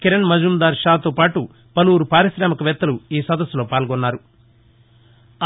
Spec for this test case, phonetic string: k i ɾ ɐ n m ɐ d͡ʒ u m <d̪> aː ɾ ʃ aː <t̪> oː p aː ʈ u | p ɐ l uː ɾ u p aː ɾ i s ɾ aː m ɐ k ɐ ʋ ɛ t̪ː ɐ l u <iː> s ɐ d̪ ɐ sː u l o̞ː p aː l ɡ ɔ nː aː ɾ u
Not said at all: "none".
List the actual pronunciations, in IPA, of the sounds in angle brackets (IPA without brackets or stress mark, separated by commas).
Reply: d̪, t̪, iː